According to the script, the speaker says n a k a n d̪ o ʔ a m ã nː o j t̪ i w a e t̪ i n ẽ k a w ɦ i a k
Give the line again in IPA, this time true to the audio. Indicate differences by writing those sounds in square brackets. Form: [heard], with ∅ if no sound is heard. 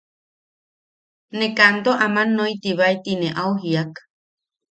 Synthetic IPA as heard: n [e] k a n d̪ o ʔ a m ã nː o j t̪ i [β] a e t̪ i n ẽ [ʔ] a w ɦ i a k